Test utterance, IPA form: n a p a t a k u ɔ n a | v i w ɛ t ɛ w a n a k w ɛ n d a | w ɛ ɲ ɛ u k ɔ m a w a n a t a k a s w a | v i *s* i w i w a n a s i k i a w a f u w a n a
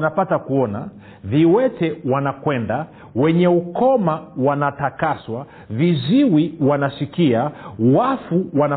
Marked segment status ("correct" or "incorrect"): incorrect